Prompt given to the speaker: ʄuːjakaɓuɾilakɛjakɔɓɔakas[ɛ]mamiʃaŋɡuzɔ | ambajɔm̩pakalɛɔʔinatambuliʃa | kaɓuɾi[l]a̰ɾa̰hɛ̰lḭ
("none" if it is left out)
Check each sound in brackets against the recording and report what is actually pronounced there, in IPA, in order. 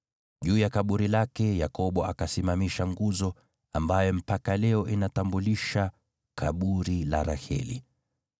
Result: i, l

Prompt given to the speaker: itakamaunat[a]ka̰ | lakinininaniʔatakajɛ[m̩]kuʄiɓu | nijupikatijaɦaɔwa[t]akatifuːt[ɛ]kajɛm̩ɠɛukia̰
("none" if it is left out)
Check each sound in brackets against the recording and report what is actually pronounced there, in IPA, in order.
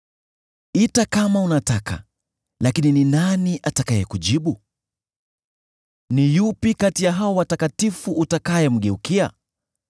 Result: a, none, t, a

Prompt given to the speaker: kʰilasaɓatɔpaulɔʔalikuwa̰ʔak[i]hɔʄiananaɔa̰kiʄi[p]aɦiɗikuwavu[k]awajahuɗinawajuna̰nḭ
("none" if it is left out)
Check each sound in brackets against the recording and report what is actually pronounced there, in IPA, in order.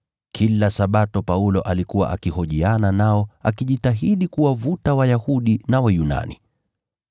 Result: i, t, t

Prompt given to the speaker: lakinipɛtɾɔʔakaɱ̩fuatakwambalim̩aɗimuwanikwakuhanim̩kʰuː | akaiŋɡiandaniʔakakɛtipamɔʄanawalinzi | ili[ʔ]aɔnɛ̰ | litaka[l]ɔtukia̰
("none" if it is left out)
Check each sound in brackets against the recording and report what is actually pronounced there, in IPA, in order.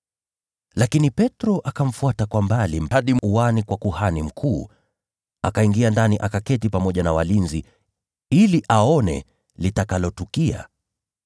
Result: ʔ, l

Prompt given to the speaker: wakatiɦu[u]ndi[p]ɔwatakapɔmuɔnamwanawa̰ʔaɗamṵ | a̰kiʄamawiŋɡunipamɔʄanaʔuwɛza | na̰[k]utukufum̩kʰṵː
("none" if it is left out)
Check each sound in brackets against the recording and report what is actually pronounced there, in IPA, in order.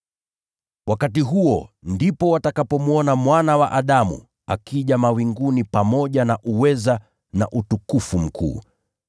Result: ɔ, p, ʔ

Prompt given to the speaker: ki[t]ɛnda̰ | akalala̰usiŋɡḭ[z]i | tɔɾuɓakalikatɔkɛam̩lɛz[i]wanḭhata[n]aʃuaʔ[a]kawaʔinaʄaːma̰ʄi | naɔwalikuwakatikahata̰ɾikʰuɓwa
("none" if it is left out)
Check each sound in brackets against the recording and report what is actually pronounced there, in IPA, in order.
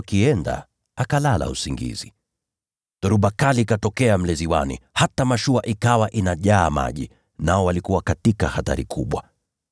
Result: none, z, i, m, i

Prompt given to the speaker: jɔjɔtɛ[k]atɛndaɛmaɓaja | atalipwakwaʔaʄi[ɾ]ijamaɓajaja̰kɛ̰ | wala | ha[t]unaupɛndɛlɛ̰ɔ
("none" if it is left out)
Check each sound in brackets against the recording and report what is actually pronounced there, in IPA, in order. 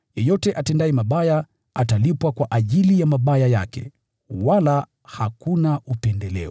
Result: ʔ, l, k

